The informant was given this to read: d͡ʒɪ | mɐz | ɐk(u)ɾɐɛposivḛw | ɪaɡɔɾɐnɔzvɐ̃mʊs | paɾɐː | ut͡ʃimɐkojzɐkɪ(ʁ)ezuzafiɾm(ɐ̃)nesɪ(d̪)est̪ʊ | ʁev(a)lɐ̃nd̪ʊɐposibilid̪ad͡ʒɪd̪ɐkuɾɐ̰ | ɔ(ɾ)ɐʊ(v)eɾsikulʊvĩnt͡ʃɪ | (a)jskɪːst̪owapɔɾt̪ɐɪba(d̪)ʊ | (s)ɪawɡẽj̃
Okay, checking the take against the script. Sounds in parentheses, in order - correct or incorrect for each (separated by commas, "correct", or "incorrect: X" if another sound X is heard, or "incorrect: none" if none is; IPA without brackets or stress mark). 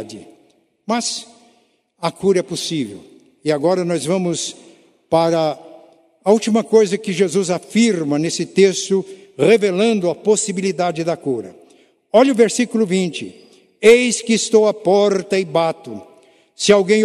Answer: correct, incorrect: ʒ, incorrect: ɐ, incorrect: t̪, incorrect: e, incorrect: ʎ, correct, incorrect: e, incorrect: t̪, correct